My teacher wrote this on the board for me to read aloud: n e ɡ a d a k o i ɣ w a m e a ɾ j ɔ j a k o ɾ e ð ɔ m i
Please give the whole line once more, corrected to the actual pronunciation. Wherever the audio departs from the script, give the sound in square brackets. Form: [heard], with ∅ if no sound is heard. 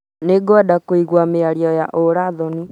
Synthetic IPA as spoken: n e ɡ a d a k o i ɣ w a m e a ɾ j ɔ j a [ʔ] o ɾ [a] ð ɔ [n] i